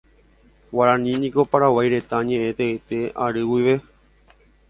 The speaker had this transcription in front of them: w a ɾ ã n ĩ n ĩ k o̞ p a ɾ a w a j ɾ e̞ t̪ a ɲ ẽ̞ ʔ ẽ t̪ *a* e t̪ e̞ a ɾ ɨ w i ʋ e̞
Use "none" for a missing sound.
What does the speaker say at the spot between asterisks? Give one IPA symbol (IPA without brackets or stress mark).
e